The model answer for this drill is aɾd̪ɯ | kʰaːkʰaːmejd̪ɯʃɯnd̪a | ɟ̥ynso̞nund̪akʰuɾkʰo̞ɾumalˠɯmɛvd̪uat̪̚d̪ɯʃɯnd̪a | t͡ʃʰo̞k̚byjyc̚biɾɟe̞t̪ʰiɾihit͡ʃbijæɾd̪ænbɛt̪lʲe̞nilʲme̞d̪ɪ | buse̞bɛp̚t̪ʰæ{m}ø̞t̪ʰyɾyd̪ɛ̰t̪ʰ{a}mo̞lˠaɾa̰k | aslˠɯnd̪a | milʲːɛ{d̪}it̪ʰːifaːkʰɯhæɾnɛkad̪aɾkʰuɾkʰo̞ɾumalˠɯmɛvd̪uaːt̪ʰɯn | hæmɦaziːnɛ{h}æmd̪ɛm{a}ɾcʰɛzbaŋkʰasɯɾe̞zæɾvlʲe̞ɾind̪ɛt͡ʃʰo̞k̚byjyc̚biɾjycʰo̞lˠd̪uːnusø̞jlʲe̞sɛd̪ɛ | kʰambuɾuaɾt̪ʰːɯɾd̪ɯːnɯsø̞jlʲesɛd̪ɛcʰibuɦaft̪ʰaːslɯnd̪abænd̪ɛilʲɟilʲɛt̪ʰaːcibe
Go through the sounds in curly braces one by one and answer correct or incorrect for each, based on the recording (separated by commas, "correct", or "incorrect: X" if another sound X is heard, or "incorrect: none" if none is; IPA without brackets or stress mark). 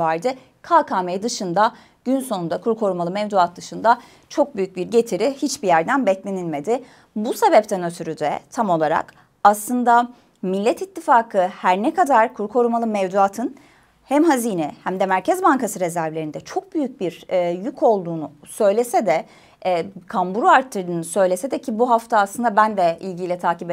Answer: incorrect: n, correct, incorrect: t̪, correct, incorrect: æ